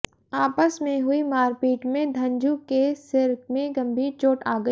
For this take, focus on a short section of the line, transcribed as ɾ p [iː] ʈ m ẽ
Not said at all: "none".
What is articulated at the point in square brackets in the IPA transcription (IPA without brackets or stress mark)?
iː